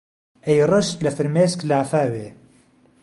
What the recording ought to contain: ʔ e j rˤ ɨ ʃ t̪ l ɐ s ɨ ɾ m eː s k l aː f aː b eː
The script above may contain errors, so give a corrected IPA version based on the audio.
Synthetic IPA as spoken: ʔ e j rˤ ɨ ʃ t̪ l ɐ f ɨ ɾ m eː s k l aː f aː w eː